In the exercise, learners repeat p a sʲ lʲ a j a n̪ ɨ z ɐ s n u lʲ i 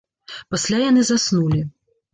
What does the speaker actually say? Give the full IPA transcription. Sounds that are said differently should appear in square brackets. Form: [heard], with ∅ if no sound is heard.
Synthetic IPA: p a sʲ lʲ a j a n̪ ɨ z [a] s n u lʲ i